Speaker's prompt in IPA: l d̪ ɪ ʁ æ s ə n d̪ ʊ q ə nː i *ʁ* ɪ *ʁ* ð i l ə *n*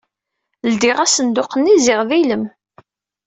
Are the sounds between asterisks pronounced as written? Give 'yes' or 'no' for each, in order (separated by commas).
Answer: no, yes, no